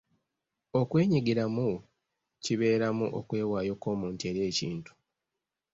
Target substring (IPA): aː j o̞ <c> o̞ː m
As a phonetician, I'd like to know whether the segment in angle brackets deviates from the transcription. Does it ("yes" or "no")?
yes